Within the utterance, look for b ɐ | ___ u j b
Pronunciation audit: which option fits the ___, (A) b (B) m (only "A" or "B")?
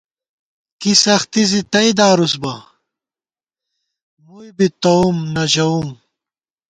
B